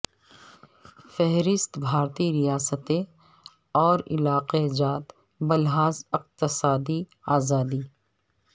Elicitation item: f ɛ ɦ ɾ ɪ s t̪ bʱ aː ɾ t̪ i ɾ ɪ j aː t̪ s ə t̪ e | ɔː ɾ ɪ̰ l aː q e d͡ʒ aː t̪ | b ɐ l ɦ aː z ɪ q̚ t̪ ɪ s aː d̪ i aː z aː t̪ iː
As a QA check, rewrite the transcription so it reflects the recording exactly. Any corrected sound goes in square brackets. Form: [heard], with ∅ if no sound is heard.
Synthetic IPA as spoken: f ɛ ɦ ɾ ɪ s t̪ bʱ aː ɾ t̪ i ɾ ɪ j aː [∅] s ə t̪ e | ɔː ɾ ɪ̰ l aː q e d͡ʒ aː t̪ | b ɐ l ɦ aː z ɪ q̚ t̪ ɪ s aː d̪ i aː z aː [d̪] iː